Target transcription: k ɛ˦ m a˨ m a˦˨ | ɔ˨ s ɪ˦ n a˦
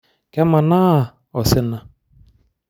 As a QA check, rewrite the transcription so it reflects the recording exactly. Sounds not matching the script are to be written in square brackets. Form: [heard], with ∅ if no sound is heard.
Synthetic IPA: k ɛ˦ m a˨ [n] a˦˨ | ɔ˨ s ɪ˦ n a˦

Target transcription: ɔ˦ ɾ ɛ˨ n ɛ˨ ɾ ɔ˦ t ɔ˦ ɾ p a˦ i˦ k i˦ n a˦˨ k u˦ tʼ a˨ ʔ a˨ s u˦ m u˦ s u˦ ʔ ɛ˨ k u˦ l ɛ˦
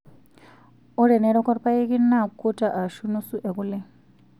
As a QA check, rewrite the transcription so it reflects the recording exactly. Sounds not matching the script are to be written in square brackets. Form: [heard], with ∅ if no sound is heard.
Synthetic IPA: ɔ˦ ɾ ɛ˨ n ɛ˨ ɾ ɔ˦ [k] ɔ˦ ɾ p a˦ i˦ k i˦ n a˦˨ k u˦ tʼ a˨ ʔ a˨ [ʃ] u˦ [n] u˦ s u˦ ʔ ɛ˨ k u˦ l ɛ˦

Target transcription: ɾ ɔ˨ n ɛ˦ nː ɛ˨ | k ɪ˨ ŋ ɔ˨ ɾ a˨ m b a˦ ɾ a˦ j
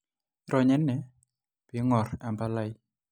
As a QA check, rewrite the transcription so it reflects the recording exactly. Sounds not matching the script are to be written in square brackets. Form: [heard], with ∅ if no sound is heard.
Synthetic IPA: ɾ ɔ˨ [ɲ] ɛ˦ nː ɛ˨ | [p] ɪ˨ ŋ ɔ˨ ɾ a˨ m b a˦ [l] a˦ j

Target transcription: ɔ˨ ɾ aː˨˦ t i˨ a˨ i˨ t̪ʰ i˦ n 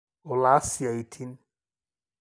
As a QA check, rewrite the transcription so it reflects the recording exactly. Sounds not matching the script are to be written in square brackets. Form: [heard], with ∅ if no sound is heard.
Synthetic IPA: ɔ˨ [l] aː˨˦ [s] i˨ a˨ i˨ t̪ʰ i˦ n

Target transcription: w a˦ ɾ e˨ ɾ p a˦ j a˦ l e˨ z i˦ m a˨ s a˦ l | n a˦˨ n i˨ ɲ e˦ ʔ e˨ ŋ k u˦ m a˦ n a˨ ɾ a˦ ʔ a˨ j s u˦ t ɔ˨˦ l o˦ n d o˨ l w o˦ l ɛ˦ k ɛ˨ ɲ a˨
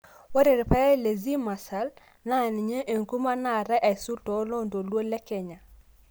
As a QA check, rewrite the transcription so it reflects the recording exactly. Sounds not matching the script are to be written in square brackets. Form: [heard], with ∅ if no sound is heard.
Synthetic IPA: w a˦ ɾ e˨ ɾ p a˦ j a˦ l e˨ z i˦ m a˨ s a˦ l | n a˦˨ n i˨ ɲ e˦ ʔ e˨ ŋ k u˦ m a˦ n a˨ ɾ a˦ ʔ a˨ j s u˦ t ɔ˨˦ l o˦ n d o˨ l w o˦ l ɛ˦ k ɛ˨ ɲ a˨

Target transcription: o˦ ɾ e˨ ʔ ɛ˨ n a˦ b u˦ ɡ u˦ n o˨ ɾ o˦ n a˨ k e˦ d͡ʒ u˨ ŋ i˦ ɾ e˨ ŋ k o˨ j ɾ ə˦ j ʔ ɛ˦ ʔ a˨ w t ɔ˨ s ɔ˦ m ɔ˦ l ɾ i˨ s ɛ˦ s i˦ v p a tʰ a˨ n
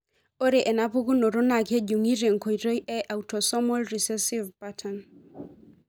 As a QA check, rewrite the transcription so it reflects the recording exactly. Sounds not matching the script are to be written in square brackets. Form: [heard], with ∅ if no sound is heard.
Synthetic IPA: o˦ ɾ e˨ ʔ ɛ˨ n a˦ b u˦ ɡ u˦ n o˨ ɾ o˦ n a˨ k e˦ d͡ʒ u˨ ŋ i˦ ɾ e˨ ŋ k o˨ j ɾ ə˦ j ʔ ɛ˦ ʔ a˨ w t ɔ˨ s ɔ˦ m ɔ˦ l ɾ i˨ s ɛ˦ s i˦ v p a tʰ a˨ n

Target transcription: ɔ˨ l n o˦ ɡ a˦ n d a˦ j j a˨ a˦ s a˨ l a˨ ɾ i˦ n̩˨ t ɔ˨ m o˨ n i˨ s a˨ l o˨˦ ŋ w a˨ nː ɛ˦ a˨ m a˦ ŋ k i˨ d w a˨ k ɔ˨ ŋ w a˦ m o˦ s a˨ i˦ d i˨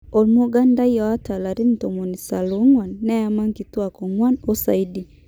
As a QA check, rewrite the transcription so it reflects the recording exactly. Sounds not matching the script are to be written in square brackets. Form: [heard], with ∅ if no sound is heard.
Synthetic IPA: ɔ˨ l [m] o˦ ɡ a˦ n d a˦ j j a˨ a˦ [t] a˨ l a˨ ɾ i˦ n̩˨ t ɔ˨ m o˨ n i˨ s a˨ l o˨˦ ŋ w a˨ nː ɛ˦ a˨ m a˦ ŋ k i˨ [t] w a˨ k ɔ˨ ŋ w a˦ [n] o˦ s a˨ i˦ d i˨

